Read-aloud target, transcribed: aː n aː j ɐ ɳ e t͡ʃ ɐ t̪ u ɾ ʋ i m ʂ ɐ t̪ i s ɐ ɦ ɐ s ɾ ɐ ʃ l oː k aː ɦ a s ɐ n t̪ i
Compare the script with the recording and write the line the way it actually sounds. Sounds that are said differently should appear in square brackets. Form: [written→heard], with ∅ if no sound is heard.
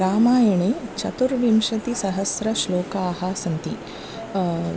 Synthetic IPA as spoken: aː [n→m] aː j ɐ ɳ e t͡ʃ ɐ t̪ u ɾ ʋ i m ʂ ɐ t̪ i s ɐ ɦ ɐ s ɾ ɐ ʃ l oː k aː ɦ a s ɐ n t̪ i